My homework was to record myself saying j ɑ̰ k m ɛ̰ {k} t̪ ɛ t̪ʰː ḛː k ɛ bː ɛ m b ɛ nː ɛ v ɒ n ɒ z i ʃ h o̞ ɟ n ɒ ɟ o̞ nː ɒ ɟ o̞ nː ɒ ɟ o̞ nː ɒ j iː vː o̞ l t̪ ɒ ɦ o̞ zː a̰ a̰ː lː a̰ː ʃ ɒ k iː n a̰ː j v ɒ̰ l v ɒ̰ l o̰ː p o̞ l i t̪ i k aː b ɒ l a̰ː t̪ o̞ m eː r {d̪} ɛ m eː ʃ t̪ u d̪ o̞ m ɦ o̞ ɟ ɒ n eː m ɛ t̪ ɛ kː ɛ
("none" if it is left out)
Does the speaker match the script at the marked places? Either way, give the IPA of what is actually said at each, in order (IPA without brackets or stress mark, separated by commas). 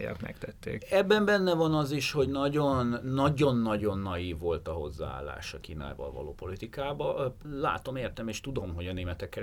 k, t̪